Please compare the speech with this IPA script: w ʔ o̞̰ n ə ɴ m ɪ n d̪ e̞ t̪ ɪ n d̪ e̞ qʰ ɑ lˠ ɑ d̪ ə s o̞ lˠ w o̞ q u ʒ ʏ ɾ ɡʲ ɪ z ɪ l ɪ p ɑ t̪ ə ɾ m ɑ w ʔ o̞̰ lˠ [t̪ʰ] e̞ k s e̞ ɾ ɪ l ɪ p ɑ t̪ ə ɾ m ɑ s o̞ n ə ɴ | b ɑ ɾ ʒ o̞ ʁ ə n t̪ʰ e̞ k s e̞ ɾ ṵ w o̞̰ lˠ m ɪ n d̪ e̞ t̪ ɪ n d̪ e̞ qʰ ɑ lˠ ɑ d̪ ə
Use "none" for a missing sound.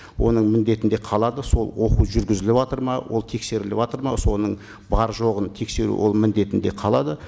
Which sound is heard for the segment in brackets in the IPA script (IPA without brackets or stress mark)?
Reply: t̪ʰ